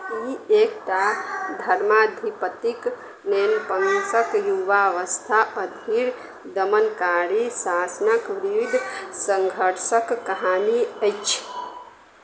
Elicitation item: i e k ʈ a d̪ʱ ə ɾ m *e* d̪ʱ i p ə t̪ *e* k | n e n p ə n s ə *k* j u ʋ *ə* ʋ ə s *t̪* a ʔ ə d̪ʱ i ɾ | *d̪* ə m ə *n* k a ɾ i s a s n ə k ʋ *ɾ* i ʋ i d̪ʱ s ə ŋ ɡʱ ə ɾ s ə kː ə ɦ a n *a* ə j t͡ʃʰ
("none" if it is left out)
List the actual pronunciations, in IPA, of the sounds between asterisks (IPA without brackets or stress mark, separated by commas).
a, i, k, a, t̪ʰ, d̪, n, ɾ, i